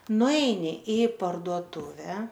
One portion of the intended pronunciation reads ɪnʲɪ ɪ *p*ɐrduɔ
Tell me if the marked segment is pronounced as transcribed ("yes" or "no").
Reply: yes